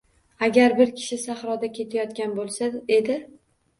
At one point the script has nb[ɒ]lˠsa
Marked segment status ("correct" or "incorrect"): incorrect